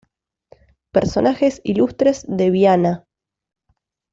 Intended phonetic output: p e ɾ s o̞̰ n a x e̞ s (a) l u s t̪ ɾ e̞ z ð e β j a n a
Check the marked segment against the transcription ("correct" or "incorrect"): incorrect